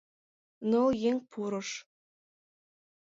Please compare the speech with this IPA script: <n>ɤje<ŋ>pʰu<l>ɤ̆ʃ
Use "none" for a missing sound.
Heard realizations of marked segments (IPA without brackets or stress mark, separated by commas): n, ŋ, ɾ